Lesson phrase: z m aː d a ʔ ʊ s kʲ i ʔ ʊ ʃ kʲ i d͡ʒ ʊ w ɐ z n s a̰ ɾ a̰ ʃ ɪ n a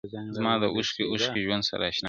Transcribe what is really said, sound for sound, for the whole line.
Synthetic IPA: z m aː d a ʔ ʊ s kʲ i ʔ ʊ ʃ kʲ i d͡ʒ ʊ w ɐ n s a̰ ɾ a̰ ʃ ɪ n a